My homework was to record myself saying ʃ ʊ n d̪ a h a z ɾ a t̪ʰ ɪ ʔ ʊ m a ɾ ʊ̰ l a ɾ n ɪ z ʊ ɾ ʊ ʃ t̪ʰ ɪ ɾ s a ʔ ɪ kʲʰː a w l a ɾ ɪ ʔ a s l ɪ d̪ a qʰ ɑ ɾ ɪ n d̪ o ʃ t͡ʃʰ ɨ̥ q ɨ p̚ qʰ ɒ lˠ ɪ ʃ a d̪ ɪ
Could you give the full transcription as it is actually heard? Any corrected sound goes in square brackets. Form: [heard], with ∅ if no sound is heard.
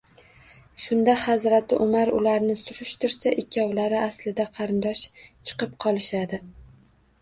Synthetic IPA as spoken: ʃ ʊ n d̪ a h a z ɾ a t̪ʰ ɪ ʔ ʊ m a ɾ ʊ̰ l a ɾ n ɪ [s] ʊ ɾ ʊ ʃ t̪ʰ ɪ ɾ s a ʔ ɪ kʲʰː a w l a ɾ ɪ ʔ a s l ɪ d̪ a qʰ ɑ ɾ ɪ n d̪ [ɒ] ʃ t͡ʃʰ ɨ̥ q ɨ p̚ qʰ ɒ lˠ ɪ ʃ a d̪ ɪ

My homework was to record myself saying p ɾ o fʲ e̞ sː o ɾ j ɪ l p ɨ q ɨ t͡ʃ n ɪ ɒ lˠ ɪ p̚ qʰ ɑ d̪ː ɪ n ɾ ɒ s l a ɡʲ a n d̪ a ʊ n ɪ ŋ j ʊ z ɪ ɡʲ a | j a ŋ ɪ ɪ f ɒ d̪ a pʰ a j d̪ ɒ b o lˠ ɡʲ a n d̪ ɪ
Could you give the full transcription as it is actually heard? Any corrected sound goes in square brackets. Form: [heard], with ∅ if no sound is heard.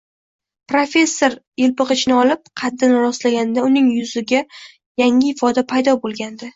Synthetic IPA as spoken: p ɾ o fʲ e̞ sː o ɾ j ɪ l p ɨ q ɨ t͡ʃ n ɪ ɒ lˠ ɪ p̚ qʰ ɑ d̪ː ɪ n ɾ ɒ s l a ɡʲ a n d̪ a ʊ n ɪ ŋ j ʊ z ɪ ɡʲ a | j a ŋ ɪ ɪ f ɒ d̪ a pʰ a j d̪ ɒ b o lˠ ɡʲ a n d̪ ɪ

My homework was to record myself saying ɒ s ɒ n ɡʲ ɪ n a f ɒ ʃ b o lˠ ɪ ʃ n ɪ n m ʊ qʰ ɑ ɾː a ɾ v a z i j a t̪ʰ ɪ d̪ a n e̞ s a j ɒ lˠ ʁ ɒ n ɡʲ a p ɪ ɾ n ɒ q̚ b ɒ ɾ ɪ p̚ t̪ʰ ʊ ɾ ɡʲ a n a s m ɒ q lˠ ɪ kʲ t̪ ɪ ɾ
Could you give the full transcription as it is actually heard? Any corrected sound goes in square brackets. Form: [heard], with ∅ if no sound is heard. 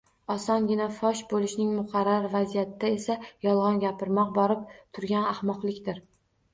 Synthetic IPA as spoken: ɒ s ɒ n ɡʲ ɪ n a f ɒ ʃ b o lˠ ɪ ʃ n ɪ [ŋ] m ʊ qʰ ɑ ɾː a ɾ v a z i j a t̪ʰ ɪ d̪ a [∅] e̞ s a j ɒ lˠ ʁ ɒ n ɡʲ a p ɪ ɾ [m] ɒ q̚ b ɒ ɾ ɪ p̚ t̪ʰ ʊ ɾ ɡʲ a n a [h] m ɒ q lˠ ɪ kʲ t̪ ɪ ɾ

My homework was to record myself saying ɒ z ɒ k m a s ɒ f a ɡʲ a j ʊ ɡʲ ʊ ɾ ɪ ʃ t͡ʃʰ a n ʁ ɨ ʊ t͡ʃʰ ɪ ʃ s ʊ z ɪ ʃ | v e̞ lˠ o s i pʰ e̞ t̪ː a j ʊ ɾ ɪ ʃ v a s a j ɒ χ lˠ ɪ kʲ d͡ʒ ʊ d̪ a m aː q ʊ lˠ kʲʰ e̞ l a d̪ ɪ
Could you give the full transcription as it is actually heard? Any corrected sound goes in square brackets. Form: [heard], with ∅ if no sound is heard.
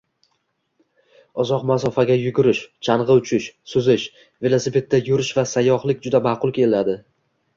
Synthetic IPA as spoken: ɒ z ɒ [q] m a s ɒ f a ɡʲ a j ʊ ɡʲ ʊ ɾ ɪ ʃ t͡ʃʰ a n ʁ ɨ ʊ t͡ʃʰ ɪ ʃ s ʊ z ɪ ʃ | v e̞ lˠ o s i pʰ e̞ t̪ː a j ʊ ɾ ɪ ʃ v a s a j ɒ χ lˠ ɪ kʲ d͡ʒ ʊ d̪ a m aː q ʊ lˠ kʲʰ e̞ l a d̪ ɪ

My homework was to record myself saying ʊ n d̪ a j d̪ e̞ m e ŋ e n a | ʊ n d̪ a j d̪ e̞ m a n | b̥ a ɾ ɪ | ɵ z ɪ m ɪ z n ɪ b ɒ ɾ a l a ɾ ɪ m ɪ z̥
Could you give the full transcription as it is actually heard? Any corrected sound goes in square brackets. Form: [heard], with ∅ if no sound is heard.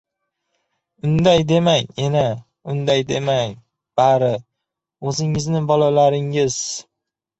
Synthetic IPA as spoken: ʊ n d̪ a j d̪ e̞ m [a] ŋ e n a | ʊ n d̪ a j d̪ e̞ m a [ŋ] | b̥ a ɾ ɪ | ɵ z ɪ [ŋ] ɪ z n ɪ b ɒ [l] a l a ɾ ɪ [ŋ] ɪ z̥

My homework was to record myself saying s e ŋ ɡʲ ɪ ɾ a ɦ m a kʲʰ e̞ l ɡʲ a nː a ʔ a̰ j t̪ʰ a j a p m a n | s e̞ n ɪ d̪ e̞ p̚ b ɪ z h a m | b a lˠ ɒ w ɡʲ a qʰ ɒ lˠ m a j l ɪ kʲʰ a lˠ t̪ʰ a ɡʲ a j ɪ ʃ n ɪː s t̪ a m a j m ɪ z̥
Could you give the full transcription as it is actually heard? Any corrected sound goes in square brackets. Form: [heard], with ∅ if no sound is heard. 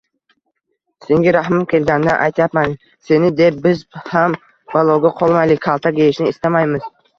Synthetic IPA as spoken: s e ŋ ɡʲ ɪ ɾ a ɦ m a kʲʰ e̞ l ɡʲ a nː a ʔ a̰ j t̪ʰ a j a p m a n | s e̞ n ɪ d̪ e̞ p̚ b ɪ z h a m | b a lˠ ɒ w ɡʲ a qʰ ɒ lˠ m a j l ɪ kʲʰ a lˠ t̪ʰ a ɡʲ [e] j ɪ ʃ n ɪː s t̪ a m a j m ɪ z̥

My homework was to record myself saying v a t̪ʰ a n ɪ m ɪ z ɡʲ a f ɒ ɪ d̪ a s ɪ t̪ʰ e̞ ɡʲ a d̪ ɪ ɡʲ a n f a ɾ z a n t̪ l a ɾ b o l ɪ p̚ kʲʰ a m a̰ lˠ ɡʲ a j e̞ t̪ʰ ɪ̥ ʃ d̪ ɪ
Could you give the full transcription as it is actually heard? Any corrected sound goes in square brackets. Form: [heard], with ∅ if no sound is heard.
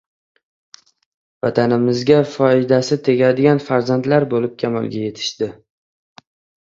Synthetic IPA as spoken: v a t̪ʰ a n ɪ m ɪ z ɡʲ a f ɒ ɪ d̪ a s ɪ t̪ʰ e̞ ɡʲ a d̪ ɪ ɡʲ a n f a ɾ z a n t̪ l a ɾ b o l ɪ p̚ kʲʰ a m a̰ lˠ ɡʲ a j e̞ t̪ʰ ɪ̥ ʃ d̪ ɪ

